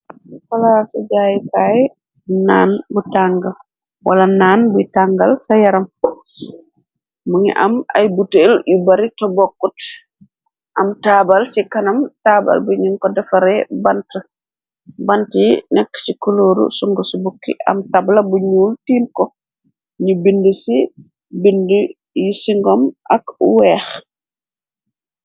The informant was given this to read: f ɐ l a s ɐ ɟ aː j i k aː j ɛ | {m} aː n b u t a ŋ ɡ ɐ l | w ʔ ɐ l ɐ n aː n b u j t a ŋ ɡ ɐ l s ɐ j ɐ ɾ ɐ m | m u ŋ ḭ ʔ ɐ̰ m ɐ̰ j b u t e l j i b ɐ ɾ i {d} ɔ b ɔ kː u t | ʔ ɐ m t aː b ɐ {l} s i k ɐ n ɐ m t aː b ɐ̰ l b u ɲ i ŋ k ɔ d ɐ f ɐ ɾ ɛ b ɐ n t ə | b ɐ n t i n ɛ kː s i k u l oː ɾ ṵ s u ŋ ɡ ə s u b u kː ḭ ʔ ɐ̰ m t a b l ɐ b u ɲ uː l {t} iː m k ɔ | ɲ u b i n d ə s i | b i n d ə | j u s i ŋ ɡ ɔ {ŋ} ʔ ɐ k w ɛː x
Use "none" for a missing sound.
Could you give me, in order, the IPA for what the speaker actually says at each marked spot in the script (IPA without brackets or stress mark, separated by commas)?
n, t, l, t, m